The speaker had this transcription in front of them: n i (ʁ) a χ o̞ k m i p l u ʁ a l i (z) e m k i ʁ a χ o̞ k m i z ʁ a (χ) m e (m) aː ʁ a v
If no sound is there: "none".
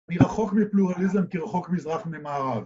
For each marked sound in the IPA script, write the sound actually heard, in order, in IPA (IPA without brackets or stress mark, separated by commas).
ʁ, z, χ, m